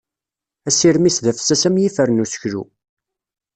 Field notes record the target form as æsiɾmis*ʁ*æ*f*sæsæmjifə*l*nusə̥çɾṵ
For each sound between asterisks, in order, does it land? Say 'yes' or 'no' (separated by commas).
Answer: no, yes, no